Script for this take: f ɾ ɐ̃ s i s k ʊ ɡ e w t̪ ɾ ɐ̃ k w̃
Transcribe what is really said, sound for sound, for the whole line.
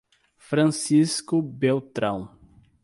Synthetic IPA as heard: f ɾ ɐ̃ s i s k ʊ b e w t̪ ɾ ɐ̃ w̃

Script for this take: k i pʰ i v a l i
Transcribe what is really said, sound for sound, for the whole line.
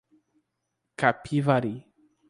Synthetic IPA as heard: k a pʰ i v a ɾ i

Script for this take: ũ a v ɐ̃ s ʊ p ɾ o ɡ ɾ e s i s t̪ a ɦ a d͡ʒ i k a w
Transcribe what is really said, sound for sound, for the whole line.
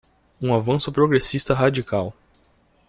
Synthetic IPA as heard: ũ a v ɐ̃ s ʊ p ɾ o ɡ ɾ e s i s t̪ ɐ ɦ a d͡ʒ i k a w

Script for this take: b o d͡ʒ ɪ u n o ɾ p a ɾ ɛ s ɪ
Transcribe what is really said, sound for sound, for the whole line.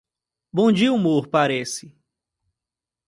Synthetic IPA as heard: b õ d͡ʒ i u m o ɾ p a ɾ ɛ s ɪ

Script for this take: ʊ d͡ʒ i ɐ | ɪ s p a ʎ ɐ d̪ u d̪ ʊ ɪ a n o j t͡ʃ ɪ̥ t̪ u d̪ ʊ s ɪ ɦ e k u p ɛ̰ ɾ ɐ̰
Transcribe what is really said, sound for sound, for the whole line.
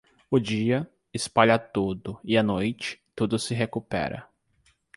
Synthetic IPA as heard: ʊ d͡ʒ i ɐ | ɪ s p a ʎ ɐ t̪ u d̪ ʊ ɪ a n o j t͡ʃ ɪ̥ t̪ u d̪ ʊ s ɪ ɦ e k u p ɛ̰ ɾ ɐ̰

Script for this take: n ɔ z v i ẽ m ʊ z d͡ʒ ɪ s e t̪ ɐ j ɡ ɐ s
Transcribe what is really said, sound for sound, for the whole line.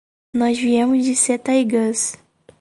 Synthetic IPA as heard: n ɔ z v i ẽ m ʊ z d͡ʒ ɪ s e t̪ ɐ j ɡ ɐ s

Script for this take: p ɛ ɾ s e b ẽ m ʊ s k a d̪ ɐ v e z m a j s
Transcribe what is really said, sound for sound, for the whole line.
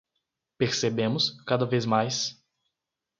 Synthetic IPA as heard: p e ɾ s e b ẽ m ʊ s k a d̪ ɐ v e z m a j s

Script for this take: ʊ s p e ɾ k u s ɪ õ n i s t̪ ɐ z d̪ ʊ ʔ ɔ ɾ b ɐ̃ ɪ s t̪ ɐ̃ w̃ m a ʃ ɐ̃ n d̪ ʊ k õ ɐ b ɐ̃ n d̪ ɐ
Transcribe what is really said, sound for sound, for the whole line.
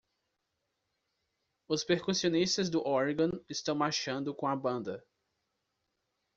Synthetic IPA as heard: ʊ s p e ɾ k u s i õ n i s t̪ ɐ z d̪ ʊ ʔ ɔ ɾ ɡ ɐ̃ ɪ s t̪ ɐ̃ w̃ m a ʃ ɐ̃ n d̪ ʊ k õ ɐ b ɐ̃ n d̪ ɐ

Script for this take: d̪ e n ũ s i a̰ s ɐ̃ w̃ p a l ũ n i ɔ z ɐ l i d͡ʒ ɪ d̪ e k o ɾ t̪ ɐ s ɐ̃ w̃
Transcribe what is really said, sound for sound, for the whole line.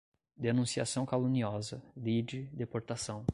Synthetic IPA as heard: d̪ e n ũ s i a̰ s ɐ̃ w̃ k a l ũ n i ɔ z ɐ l i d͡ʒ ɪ d̪ e p o ɾ t̪ a s ɐ̃ w̃

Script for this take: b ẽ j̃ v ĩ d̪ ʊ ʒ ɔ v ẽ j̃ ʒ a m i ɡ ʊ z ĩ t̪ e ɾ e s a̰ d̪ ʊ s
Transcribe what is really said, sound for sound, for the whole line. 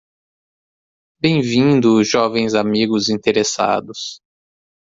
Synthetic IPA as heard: b ẽ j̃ v ĩ d̪ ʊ ʒ ɔ v ẽ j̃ z a m i ɡ ʊ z ĩ t̪ e ɾ e s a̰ d̪ ʊ s

